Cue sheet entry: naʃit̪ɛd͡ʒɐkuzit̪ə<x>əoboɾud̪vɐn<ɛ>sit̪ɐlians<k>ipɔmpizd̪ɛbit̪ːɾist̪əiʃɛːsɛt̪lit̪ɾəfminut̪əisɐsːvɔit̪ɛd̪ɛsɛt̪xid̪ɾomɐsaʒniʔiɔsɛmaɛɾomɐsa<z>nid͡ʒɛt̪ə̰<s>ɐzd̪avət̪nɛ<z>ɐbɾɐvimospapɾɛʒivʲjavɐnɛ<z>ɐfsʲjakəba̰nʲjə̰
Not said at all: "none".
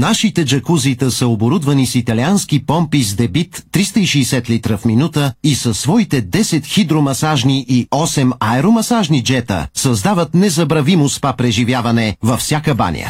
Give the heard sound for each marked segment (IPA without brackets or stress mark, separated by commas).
s, i, k, ʒ, s, z, v